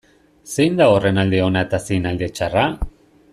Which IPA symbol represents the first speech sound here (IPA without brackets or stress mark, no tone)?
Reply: s